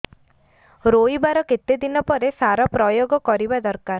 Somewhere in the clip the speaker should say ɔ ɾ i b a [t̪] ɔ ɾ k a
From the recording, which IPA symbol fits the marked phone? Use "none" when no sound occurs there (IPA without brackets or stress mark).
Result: d̪